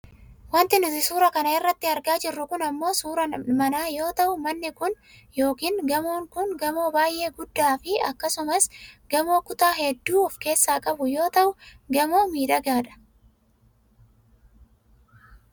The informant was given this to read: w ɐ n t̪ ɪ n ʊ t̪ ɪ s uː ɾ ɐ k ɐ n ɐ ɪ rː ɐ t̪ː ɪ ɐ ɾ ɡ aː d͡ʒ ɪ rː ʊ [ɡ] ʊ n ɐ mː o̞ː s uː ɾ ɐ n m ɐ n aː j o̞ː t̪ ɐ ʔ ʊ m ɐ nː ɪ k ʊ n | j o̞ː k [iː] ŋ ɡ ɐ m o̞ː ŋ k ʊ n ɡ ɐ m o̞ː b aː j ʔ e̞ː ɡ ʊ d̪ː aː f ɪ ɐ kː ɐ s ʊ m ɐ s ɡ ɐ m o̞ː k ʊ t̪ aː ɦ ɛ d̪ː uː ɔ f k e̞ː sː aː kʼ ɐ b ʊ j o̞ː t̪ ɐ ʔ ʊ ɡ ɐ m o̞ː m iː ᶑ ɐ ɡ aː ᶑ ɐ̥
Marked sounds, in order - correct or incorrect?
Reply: incorrect: k, correct

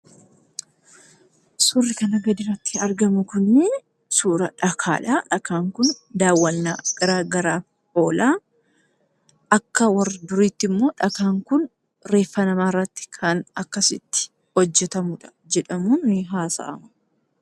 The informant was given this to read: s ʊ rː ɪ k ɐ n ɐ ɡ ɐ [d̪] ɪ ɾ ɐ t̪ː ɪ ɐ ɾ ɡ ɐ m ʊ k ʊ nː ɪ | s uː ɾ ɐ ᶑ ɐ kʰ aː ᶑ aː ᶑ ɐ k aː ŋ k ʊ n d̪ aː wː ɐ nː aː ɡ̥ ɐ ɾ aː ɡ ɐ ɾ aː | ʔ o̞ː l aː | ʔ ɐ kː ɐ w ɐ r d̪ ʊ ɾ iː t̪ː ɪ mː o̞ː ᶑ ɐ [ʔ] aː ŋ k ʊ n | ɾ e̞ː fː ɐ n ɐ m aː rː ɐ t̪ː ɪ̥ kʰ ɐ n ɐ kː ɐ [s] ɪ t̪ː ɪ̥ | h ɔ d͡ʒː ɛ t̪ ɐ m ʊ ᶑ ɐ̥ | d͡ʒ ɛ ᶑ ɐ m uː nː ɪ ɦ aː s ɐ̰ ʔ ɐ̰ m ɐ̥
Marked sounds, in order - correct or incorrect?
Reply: correct, incorrect: k, correct

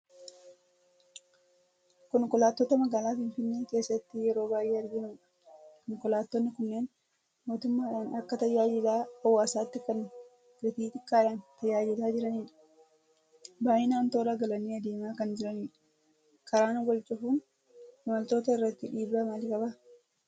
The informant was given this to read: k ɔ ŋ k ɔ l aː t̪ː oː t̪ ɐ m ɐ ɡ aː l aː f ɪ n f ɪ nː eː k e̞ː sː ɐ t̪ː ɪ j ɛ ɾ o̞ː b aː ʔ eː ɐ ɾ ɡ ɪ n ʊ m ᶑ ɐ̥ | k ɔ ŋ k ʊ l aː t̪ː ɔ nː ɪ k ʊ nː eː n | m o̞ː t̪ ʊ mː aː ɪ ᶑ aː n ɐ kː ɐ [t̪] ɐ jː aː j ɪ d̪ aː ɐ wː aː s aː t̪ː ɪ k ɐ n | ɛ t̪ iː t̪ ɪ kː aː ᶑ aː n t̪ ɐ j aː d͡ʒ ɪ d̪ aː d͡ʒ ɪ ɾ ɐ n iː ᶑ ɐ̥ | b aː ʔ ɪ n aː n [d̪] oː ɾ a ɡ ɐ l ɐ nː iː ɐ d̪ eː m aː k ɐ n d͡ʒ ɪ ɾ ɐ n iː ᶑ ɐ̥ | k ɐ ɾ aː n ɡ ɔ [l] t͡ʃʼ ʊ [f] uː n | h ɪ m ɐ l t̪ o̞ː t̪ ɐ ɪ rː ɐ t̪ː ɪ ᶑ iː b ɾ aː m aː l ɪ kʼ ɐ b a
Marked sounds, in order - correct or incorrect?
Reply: correct, incorrect: t̪, correct, correct

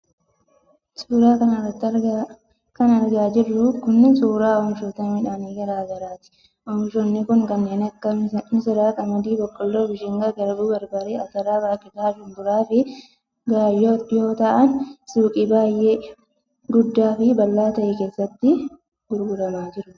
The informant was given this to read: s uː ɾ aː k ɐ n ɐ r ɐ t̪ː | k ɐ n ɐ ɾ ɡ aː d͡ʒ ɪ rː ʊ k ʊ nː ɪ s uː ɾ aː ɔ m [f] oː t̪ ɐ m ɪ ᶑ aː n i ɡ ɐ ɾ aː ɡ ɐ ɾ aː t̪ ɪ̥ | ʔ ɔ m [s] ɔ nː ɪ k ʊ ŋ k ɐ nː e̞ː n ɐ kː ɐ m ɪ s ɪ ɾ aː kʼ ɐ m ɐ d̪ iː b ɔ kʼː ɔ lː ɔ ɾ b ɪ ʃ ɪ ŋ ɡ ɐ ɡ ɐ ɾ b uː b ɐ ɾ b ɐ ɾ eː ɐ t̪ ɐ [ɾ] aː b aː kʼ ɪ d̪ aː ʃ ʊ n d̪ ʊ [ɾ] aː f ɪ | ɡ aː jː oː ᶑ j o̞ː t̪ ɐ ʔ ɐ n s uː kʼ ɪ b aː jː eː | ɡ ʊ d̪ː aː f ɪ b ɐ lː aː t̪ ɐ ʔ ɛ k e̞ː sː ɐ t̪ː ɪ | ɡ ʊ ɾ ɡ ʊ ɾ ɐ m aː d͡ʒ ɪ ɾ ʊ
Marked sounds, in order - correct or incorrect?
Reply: incorrect: ʃ, incorrect: ʃ, correct, correct

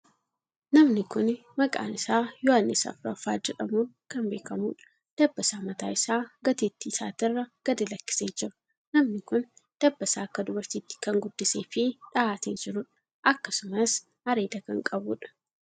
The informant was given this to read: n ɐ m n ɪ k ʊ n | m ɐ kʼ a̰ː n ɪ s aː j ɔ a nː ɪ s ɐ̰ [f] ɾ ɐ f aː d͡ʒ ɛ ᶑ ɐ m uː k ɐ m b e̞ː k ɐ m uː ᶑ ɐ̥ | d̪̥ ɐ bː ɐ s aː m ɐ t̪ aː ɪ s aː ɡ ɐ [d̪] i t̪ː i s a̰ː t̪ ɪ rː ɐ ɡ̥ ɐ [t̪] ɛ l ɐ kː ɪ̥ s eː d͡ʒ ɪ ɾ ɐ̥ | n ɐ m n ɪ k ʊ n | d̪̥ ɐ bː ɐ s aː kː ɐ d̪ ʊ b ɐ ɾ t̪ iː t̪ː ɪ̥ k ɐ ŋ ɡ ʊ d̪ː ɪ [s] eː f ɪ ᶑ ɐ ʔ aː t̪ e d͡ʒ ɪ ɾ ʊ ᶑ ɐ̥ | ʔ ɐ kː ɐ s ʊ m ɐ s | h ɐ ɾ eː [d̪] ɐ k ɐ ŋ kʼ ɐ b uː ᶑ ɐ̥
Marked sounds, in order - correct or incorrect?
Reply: correct, incorrect: t̪, incorrect: d̪, correct, correct

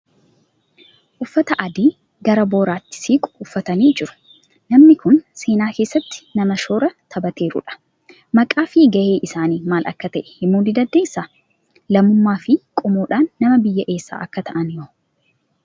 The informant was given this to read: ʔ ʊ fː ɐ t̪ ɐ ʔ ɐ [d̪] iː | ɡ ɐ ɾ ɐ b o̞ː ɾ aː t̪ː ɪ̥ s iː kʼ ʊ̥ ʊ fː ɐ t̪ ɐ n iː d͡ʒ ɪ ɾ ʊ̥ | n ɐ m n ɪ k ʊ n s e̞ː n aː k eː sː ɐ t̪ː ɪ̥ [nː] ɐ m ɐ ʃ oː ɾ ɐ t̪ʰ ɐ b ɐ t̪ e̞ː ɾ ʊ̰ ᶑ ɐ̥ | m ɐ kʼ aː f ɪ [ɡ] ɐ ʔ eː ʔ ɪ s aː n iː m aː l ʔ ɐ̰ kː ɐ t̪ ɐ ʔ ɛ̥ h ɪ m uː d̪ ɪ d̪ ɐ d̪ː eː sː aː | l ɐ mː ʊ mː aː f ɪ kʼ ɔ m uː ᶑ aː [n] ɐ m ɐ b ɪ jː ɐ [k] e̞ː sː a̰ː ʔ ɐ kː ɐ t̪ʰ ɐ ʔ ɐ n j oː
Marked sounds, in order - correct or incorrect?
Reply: correct, incorrect: n, correct, incorrect: nː, incorrect: ʔ

